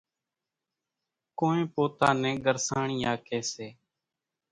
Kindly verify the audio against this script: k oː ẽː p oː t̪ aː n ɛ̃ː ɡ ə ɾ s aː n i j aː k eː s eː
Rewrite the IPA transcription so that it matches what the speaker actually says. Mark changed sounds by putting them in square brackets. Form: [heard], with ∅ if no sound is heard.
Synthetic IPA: k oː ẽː p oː t̪ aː n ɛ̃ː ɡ ə ɾ s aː [ɳ] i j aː k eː s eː